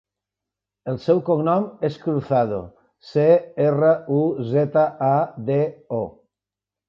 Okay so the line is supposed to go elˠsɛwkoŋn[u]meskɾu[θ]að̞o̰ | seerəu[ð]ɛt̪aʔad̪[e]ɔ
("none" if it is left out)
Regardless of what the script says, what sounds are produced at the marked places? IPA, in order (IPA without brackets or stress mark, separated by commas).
ɔ, θ, z, e